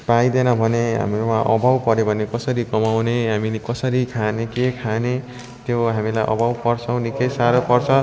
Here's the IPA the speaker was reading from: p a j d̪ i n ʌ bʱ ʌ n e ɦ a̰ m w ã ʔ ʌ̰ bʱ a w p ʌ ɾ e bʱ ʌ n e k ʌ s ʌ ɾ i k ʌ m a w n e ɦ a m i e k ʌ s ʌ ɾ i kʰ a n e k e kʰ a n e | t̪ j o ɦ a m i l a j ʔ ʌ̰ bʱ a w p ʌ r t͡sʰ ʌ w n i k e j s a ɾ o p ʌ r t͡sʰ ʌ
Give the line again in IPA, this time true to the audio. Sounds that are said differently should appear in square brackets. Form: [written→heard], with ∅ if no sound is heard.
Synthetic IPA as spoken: p a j d̪ [i→e] n ʌ bʱ ʌ n e ɦ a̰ m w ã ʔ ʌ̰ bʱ a w p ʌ ɾ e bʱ ʌ n e k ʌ s ʌ ɾ i k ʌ m a w n e ɦ a m i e k ʌ s ʌ ɾ i kʰ a n e k e kʰ a n e | t̪ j o ɦ a m i l a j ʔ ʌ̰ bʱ a w p ʌ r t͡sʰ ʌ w n i k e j s a ɾ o p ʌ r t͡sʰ ʌ